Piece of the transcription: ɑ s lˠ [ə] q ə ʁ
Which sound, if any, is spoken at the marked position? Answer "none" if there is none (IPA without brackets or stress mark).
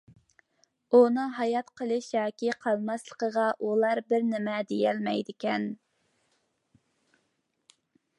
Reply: ə